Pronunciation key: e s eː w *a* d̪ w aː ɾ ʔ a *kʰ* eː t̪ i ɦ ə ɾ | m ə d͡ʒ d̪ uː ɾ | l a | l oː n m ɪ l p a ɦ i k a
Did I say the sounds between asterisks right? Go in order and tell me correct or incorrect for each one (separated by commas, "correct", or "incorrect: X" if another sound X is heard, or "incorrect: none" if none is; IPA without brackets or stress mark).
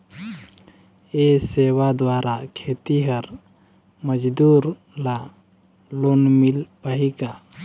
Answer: correct, correct